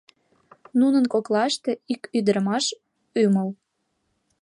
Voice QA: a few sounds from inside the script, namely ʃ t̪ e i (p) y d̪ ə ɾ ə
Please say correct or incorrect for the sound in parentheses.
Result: incorrect